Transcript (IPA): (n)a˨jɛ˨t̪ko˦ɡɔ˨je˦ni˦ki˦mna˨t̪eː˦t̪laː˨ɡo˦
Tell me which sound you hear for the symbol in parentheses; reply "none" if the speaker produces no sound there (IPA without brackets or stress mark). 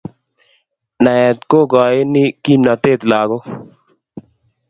n